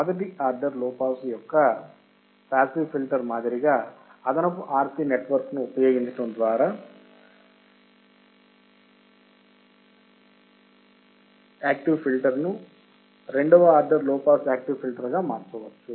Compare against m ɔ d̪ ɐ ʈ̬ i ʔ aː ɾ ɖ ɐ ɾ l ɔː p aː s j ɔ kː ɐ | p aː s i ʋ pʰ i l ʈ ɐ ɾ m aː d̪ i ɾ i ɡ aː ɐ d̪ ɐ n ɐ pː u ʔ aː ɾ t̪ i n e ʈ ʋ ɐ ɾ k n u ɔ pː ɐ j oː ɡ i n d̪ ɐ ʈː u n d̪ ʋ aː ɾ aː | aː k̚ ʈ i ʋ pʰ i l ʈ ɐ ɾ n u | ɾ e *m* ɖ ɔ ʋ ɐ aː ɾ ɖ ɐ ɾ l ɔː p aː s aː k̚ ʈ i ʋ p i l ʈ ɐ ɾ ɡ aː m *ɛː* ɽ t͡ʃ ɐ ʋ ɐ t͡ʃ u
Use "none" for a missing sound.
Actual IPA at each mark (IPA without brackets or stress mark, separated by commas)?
ɳ, aː